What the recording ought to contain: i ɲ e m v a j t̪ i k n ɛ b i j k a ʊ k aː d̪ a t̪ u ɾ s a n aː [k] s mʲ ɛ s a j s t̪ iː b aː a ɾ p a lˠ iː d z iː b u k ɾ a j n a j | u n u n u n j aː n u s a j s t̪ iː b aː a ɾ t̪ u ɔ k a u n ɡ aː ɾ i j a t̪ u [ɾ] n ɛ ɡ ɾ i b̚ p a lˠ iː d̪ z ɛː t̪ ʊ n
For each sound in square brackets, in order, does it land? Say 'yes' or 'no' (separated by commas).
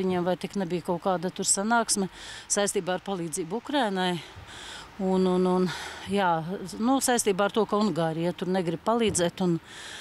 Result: yes, yes